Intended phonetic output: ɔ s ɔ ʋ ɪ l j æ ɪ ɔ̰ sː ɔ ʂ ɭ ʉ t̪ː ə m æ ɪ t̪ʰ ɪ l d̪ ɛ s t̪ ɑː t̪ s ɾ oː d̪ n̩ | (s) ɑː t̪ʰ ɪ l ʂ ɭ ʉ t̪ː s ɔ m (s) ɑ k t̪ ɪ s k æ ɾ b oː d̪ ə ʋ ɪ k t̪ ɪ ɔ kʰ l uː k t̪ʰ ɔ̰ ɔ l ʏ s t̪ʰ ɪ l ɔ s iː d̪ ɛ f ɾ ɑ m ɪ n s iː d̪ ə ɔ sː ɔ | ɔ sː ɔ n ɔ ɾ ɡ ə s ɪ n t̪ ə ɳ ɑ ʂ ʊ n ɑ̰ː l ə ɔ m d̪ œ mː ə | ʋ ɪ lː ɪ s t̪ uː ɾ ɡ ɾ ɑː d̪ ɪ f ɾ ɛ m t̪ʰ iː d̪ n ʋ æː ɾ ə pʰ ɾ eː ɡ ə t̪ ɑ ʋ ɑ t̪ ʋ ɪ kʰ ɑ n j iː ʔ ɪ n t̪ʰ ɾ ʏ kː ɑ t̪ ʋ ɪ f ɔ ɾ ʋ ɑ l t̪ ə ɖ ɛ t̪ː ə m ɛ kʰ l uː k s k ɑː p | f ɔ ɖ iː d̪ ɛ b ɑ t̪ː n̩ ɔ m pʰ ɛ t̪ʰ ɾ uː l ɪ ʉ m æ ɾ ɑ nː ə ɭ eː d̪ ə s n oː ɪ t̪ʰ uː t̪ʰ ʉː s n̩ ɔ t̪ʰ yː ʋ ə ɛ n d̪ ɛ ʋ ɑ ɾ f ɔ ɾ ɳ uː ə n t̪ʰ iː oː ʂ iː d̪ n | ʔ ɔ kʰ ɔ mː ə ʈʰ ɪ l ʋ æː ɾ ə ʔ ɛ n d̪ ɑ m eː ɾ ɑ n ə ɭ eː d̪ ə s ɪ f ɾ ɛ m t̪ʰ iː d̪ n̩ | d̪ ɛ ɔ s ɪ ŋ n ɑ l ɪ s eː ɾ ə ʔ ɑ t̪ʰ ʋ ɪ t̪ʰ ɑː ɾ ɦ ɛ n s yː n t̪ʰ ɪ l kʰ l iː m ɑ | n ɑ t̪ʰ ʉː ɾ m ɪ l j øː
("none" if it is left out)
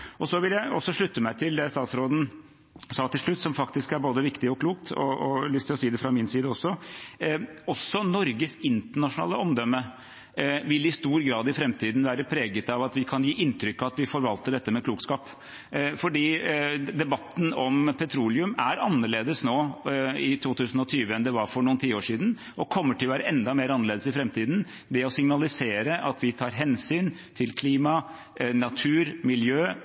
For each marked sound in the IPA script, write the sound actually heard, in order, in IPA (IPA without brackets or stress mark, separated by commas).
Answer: s, f